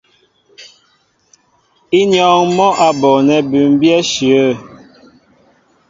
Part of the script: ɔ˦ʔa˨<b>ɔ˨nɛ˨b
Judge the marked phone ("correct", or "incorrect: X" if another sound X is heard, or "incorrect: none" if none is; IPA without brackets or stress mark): correct